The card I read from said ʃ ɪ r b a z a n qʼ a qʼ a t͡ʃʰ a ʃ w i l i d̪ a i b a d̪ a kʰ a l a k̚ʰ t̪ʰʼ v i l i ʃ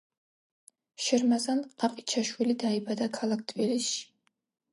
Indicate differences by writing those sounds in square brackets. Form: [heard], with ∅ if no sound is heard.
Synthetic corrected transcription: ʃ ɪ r [m] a z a n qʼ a qʼ [i] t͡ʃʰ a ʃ w i l i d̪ a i b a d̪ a kʰ a l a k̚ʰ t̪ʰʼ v i l i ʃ

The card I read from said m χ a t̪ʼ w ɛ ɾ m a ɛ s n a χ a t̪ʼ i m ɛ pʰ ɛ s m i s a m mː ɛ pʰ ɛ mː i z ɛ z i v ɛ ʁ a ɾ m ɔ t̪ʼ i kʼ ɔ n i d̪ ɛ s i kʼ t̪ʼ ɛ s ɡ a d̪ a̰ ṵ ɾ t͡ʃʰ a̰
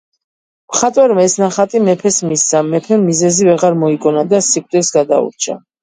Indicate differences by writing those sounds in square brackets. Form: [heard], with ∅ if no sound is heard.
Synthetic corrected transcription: m χ a t̪ʼ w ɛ ɾ m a ɛ s n a χ a t̪ʼ i m ɛ pʰ ɛ s m i s a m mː ɛ pʰ ɛ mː i z ɛ z i v ɛ ʁ a ɾ m ɔ [∅] i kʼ ɔ n [a] d̪ [a] s i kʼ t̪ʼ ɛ s ɡ a d̪ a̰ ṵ ɾ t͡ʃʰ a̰

